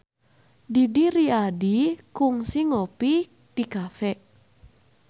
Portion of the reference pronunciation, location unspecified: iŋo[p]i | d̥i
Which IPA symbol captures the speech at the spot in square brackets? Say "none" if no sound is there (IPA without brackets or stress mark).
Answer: p